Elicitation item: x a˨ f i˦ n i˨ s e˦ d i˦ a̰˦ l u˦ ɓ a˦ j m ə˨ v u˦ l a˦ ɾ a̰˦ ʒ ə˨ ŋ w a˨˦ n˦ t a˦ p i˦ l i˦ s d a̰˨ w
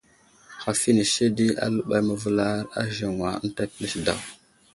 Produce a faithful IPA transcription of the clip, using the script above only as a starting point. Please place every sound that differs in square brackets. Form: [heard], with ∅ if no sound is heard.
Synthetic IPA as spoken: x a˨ f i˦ n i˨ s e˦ d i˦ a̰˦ l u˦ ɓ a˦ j m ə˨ v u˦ l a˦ ɾ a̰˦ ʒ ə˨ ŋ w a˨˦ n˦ t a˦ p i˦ l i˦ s d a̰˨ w